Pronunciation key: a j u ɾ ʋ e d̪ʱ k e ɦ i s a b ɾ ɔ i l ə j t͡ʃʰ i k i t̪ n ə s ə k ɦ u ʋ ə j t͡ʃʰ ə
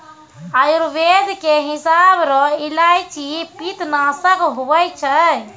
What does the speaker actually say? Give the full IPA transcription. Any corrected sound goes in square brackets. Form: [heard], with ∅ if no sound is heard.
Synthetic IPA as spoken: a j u ɾ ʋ e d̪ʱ k e ɦ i s a b ɾ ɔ i l [a] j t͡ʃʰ i [p] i t̪ n [a] s ə k ɦ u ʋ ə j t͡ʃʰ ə